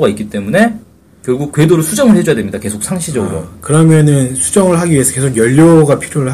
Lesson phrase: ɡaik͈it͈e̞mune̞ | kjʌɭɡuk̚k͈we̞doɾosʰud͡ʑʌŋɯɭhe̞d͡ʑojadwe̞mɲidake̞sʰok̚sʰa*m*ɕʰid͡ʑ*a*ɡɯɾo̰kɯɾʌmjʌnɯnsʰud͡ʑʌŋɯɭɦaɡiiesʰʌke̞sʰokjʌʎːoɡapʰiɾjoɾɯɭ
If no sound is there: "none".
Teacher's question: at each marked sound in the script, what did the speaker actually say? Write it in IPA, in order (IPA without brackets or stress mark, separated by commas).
ŋ, ʌ